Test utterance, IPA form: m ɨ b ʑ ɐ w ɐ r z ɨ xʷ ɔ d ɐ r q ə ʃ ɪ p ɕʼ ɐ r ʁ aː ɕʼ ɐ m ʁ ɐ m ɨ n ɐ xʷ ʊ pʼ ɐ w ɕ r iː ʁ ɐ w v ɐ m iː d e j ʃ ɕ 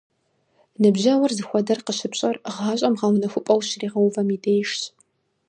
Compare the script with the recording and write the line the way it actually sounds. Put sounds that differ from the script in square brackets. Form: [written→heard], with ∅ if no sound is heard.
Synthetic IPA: [m→n] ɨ b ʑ ɐ w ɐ r z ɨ xʷ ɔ d ɐ r q ə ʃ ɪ p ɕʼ ɐ r ʁ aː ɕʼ ɐ m ʁ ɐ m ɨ n ɐ xʷ ʊ pʼ ɐ w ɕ r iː ʁ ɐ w v ɐ m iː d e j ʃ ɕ

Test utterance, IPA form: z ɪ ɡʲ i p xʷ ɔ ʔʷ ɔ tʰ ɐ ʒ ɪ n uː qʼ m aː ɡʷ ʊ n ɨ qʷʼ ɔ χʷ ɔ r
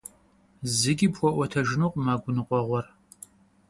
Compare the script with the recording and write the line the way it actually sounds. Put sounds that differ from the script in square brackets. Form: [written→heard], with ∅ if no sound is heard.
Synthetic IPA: z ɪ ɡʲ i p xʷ ɔ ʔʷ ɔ tʰ ɐ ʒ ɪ n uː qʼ m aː ɡʷ ʊ n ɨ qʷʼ ɔ [χʷ→ʁʷ] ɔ r

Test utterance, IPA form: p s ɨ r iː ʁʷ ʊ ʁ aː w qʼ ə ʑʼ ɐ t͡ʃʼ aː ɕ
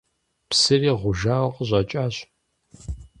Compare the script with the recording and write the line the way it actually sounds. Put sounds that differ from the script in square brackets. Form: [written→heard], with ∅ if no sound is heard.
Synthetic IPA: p s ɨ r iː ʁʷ ʊ [ʁ→ʒ] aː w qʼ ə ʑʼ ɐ t͡ʃʼ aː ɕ

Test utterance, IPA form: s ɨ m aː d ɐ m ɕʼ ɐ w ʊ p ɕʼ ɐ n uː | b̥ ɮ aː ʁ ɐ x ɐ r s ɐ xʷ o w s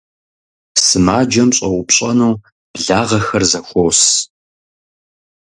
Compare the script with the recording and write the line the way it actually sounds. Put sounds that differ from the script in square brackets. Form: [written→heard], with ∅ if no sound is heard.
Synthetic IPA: s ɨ m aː [d→d͡ʒ] ɐ m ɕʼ ɐ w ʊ p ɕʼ ɐ n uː | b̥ ɮ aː ʁ ɐ x ɐ r [s→z] ɐ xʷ o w s

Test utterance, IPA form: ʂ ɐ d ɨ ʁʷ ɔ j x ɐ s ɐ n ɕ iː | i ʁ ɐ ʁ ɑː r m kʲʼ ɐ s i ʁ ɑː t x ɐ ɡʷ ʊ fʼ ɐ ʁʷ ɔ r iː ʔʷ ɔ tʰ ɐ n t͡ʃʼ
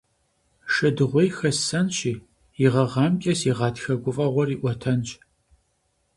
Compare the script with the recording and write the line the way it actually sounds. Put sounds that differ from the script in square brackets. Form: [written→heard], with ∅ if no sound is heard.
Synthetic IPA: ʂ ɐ d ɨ ʁʷ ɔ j x ɐ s ɐ n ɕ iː | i ʁ ɐ ʁ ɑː [r→∅] m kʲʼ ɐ s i ʁ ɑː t x ɐ ɡʷ ʊ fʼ ɐ ʁʷ ɔ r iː ʔʷ ɔ tʰ ɐ n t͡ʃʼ

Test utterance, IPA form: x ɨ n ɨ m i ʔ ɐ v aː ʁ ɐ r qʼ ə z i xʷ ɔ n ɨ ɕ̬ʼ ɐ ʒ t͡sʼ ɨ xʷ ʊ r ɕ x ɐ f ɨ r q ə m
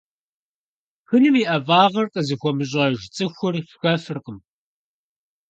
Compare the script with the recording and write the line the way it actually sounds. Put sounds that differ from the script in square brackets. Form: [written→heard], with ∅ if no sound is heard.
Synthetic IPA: x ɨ n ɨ m i ʔ ɐ v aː ʁ ɐ r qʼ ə z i xʷ ɔ [n→m] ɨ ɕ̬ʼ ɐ ʒ t͡sʼ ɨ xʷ ʊ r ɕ x ɐ f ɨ r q ə m

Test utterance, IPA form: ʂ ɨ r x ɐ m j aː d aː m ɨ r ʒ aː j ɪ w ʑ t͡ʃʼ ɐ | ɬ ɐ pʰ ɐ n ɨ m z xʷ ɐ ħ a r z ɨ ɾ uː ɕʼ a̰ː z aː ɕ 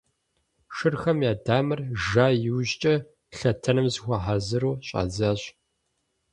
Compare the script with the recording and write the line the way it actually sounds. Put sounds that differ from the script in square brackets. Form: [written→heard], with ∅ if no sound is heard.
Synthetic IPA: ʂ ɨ r x ɐ m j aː d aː m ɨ r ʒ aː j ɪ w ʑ t͡ʃʼ ɐ | ɬ ɐ [pʰ→tʰ] ɐ n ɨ m z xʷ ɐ ħ a [r→∅] z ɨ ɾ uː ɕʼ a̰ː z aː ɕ

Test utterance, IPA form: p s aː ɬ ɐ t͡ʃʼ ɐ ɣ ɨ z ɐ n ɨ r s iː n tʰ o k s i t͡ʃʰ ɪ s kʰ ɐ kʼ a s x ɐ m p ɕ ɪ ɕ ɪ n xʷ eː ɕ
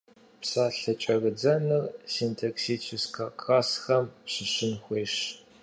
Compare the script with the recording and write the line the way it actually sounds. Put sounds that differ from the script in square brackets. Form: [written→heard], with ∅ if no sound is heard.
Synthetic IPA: p s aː ɬ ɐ t͡ʃʼ ɐ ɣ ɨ [z→d͡z] ɐ n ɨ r s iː n tʰ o k s i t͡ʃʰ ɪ s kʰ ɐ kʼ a s x ɐ m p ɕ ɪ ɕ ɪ n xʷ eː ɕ

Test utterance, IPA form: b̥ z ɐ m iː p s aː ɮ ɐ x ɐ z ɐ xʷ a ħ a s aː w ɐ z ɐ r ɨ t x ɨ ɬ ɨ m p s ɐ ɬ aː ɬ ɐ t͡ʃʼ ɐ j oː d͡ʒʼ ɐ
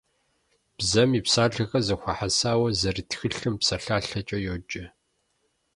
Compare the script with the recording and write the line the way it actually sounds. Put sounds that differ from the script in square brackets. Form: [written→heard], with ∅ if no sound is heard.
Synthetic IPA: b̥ z ɐ m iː p s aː ɮ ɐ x ɐ z ɐ xʷ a ħ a s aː w ɐ z ɐ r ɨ t x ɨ ɬ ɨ m p s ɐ ɬ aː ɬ ɐ t͡ʃʼ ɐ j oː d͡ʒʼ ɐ

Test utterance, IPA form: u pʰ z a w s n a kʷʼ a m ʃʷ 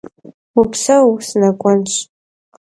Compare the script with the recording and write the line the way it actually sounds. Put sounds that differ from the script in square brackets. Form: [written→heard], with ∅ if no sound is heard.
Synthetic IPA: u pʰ [z→s] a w s n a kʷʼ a [m→n] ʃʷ

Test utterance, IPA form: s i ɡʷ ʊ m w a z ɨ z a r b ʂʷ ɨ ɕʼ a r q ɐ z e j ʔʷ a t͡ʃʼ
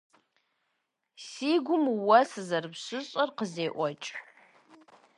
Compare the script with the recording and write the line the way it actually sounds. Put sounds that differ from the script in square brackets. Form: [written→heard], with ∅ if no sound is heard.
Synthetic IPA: s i ɡʷ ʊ m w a [z→s] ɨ z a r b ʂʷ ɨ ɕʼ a r q [ɐ→ə] z e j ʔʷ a t͡ʃʼ

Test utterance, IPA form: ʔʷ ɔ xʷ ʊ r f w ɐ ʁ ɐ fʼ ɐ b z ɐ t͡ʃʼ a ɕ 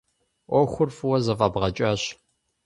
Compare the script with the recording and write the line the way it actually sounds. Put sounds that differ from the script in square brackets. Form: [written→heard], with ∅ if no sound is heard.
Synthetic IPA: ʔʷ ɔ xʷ ʊ r f w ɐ [ʁ→z] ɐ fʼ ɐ b [z→ʁ] ɐ t͡ʃʼ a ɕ

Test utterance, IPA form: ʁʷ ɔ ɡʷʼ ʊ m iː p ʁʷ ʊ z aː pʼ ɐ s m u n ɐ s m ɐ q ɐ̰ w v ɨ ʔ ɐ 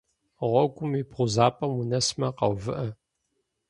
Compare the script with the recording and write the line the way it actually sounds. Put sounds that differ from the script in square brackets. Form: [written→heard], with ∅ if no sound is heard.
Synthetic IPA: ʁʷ ɔ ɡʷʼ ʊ m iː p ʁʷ ʊ z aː pʼ ɐ [s→∅] m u n ɐ s m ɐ q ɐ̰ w v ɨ ʔ ɐ

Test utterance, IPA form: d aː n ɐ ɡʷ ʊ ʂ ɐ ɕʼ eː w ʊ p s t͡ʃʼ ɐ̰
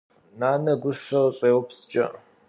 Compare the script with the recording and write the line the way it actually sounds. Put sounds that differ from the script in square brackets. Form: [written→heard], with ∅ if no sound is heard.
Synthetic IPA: [d→n] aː n ɐ ɡʷ ʊ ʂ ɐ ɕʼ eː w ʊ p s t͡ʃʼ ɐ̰

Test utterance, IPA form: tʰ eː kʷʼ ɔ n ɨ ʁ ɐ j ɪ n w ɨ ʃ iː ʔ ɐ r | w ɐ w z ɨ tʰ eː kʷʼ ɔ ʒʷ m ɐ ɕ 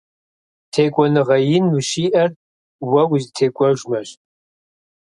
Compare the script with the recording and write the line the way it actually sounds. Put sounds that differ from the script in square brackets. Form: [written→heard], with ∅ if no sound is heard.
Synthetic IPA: tʰ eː kʷʼ ɔ n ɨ ʁ ɐ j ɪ n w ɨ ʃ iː ʔ ɐ r | w ɐ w z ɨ tʰ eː kʷʼ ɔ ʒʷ m ɐ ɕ

